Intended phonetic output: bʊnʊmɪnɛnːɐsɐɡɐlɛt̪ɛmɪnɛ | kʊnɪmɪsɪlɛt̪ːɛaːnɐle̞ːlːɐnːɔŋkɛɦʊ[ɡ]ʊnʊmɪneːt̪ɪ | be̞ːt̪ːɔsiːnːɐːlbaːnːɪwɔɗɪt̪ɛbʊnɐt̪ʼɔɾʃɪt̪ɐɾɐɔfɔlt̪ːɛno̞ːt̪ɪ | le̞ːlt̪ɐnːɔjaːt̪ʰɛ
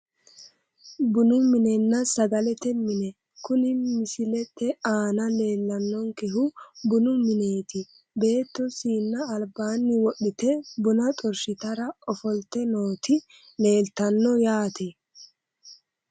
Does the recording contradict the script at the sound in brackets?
yes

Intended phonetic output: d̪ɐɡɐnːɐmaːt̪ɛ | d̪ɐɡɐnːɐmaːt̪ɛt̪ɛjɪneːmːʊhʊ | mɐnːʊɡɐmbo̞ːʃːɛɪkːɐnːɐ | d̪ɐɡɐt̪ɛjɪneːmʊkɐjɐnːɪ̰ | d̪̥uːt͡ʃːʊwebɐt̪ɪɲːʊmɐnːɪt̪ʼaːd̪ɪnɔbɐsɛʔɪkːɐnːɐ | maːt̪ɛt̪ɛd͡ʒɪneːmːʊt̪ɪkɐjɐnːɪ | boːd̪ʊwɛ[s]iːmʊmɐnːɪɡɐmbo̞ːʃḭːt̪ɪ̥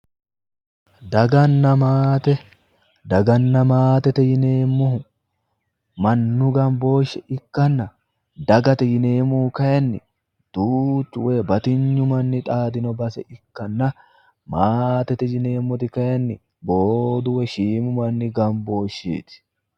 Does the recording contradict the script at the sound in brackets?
yes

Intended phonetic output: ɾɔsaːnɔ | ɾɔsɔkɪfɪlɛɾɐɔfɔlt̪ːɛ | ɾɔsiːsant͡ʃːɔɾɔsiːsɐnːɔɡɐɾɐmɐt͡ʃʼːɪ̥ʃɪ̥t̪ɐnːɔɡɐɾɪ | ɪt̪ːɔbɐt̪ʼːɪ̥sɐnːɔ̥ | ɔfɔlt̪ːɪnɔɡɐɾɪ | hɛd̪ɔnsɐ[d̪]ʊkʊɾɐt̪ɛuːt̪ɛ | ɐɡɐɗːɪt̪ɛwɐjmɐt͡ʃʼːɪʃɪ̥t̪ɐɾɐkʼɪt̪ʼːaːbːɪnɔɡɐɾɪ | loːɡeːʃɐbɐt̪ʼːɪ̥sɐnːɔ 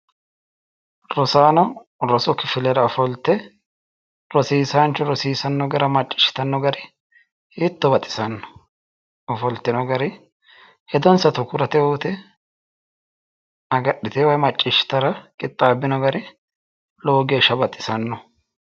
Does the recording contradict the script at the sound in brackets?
yes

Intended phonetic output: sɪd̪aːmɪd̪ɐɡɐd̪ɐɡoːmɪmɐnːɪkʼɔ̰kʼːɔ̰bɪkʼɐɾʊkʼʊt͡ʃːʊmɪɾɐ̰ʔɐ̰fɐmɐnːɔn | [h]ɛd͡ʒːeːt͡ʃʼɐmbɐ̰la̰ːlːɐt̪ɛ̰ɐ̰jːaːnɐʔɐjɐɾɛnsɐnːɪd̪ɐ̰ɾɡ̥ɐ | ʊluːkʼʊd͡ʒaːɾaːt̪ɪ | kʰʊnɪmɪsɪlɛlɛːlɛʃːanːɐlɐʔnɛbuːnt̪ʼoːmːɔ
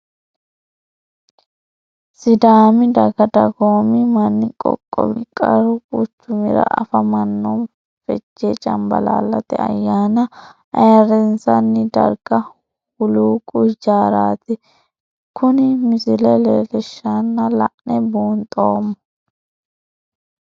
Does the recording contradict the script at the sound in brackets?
yes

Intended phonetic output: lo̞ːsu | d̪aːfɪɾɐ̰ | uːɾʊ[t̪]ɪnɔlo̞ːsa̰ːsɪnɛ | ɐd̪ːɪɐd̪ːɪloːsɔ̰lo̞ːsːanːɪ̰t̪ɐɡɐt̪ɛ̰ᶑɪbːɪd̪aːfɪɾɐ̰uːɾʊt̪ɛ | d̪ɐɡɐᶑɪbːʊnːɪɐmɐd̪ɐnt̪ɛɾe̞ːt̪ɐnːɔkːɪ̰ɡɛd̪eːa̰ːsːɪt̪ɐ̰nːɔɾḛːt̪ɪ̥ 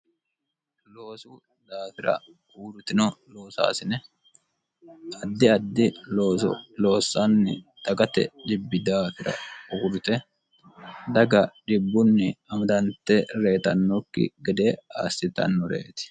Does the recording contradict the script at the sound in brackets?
no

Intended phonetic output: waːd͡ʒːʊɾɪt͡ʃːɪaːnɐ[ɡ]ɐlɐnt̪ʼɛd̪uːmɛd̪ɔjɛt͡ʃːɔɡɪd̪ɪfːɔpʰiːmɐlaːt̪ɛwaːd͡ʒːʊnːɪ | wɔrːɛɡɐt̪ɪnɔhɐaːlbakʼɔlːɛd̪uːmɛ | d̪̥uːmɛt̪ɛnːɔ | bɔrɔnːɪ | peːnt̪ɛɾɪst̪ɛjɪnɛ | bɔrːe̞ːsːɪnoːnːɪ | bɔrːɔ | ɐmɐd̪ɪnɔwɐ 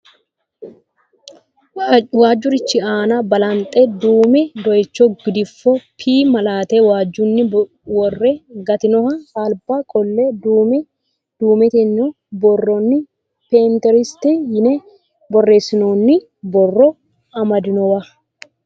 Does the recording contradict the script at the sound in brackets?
yes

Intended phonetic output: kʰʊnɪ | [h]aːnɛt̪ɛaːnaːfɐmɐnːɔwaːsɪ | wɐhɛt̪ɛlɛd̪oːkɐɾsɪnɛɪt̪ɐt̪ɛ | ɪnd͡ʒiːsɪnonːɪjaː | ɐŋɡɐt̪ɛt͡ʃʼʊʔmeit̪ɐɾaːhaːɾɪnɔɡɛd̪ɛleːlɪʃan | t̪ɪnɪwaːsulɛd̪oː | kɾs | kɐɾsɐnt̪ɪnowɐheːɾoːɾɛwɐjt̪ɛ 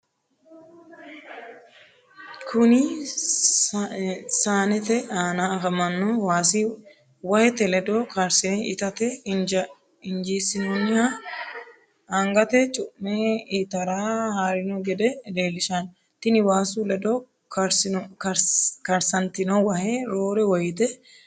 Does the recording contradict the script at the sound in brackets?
yes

